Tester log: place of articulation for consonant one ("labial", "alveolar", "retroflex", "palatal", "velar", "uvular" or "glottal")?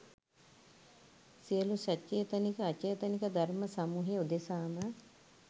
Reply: alveolar